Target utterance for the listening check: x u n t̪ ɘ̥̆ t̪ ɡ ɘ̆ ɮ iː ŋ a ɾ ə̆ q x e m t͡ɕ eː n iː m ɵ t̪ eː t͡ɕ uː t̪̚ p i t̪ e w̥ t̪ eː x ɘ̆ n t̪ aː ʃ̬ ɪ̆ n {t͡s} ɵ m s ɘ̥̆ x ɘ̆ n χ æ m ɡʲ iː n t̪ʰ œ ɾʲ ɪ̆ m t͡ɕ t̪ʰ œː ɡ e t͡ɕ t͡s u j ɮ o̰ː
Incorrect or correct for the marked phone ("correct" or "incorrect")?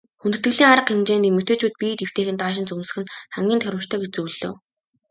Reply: correct